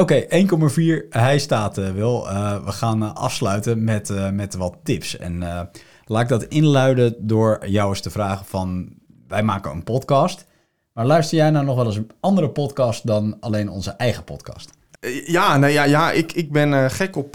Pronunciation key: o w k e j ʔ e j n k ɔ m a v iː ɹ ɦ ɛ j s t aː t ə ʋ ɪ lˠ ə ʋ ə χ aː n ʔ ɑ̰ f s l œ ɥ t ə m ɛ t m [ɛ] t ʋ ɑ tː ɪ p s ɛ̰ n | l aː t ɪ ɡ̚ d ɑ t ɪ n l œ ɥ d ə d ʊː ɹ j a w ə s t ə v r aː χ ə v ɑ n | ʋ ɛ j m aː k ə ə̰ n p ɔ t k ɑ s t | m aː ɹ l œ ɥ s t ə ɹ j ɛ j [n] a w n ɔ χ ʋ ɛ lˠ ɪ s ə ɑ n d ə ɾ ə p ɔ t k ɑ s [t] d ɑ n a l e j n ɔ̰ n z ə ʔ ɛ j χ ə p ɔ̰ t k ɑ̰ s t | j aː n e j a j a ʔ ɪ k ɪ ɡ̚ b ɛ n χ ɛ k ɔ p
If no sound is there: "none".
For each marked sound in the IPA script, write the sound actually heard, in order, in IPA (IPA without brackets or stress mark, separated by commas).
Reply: ɛ, n, t